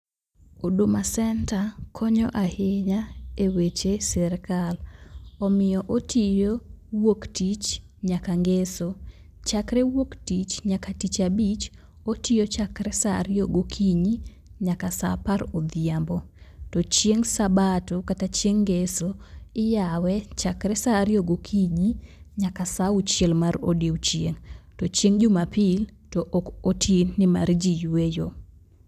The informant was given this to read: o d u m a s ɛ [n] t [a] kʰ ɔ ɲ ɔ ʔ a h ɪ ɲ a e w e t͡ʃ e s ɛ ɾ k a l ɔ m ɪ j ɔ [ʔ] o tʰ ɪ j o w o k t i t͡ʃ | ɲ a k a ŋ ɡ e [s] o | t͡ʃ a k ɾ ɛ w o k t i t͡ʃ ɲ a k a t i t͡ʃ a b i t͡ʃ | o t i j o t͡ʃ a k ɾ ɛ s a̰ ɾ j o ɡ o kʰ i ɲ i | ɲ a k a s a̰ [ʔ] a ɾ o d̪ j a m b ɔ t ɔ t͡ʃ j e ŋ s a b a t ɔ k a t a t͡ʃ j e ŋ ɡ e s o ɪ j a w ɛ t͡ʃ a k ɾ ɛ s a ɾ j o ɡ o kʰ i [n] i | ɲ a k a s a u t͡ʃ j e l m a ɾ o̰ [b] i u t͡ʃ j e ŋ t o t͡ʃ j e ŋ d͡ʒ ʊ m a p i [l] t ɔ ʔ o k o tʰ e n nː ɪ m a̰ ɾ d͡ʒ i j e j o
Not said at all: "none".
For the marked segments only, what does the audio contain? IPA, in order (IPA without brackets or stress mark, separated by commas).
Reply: n, a, ʔ, s, p, ɲ, d, l